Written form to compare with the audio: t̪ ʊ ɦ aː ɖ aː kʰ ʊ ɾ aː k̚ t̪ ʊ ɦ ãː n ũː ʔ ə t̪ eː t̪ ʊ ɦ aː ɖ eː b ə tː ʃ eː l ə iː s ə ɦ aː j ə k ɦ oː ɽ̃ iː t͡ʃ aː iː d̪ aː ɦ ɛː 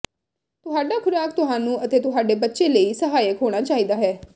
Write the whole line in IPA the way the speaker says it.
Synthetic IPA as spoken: t̪ ʊ ɦ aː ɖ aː kʰ ʊ ɾ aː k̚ t̪ ʊ ɦ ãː n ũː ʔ ə t̪ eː t̪ ʊ ɦ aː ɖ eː b ə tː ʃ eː l ə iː s ə ɦ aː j ə k ɦ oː ɽ̃ aː t͡ʃ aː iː d̪ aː ɦ ɛː